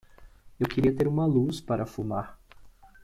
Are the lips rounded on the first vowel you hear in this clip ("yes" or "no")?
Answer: no